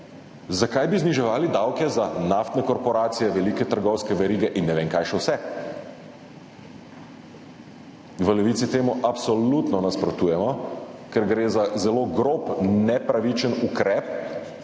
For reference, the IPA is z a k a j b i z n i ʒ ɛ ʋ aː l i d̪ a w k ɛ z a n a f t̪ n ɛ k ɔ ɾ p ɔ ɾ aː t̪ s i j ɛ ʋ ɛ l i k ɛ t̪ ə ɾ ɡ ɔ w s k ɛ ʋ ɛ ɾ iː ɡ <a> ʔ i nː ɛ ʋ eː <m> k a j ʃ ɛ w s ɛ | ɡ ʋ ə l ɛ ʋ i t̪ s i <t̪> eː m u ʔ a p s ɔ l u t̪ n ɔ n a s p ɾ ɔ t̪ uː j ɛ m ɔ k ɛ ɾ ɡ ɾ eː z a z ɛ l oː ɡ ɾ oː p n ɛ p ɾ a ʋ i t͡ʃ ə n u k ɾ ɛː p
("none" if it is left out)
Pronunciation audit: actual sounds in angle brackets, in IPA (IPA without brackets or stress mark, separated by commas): ɛ, ŋ, t̪